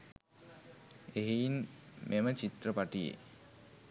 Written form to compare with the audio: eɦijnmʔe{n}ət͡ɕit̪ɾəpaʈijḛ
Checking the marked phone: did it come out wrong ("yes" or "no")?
yes